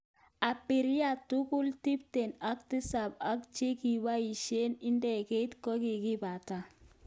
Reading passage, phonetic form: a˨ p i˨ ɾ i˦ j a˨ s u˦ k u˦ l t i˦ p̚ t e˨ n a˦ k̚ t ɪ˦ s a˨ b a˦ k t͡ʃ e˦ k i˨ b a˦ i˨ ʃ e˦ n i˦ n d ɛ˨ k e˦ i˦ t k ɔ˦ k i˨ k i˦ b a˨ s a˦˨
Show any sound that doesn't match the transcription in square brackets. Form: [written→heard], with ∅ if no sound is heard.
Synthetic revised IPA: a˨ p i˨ ɾ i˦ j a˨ [s→t] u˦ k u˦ l t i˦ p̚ t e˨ n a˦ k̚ t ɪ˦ s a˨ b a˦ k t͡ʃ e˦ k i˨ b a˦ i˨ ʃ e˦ n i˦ n d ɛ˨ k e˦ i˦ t k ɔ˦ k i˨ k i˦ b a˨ [s→t] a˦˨